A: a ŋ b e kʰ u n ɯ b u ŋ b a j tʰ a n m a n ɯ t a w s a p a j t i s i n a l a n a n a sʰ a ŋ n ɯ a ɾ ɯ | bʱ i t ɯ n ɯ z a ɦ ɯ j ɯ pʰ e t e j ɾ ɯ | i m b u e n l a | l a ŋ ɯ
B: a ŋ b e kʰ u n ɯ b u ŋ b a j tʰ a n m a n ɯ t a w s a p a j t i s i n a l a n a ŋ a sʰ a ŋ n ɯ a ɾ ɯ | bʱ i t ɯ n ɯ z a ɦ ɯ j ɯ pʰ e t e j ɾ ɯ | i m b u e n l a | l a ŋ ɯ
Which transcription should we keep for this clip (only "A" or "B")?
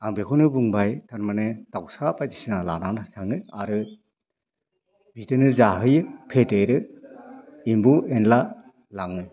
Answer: A